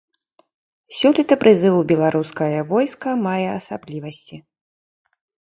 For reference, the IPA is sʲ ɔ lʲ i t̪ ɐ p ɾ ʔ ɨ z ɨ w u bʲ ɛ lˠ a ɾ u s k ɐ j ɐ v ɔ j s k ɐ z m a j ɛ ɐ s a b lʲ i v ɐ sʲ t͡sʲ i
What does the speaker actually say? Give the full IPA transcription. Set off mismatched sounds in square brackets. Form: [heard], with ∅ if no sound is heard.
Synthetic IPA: sʲ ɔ lʲ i t̪ ɐ p ɾ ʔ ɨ z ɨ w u bʲ ɛ lˠ a ɾ u s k ɐ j ɐ v ɔ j s k ɐ [∅] m a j ɛ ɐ s a b lʲ i v ɐ sʲ t͡sʲ i